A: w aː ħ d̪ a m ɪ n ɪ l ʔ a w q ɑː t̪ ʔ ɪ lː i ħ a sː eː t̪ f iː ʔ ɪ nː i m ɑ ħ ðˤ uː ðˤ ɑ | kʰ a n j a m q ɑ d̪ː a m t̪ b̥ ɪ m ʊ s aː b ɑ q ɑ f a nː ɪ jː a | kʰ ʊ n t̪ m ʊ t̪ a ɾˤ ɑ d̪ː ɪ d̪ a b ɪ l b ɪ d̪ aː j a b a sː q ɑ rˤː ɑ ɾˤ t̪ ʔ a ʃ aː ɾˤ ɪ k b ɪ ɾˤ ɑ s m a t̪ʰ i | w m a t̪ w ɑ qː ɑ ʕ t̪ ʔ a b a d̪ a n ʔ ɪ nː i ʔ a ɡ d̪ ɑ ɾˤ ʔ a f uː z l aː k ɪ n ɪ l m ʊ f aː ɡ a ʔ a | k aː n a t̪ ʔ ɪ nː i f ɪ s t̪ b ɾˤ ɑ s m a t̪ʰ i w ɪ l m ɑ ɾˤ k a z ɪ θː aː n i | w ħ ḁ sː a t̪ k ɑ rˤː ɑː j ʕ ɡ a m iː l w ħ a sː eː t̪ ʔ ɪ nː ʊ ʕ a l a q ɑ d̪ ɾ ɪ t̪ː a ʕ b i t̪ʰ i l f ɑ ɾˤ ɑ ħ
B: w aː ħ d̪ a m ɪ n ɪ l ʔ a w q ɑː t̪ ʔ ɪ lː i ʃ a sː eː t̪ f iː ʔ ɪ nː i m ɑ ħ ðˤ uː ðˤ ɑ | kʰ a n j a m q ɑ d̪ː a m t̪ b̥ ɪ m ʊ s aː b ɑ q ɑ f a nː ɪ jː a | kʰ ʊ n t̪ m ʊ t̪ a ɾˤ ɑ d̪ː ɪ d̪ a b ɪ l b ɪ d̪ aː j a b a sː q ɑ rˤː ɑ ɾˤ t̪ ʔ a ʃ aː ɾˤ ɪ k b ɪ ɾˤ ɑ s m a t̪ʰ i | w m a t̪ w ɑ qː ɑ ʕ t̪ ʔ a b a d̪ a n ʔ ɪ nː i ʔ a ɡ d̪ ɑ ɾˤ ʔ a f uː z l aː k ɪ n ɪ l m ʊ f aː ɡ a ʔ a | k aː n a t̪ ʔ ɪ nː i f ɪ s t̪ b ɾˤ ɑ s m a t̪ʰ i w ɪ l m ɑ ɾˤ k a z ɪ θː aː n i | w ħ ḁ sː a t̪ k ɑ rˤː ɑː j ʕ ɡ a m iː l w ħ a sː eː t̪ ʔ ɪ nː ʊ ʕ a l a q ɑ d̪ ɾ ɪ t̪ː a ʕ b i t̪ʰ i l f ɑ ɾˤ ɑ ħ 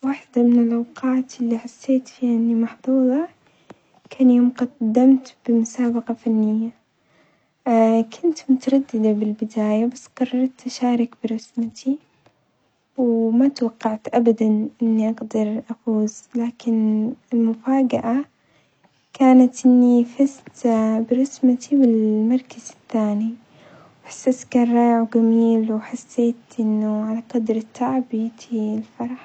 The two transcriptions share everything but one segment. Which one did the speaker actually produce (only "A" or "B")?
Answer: A